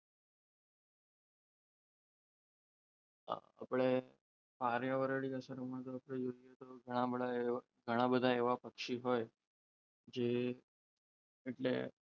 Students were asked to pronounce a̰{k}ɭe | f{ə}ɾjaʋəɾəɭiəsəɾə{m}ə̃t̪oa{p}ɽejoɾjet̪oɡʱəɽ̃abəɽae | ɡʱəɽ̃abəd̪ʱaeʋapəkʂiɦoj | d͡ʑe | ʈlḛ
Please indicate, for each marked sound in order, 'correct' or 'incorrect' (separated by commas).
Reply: incorrect, incorrect, correct, correct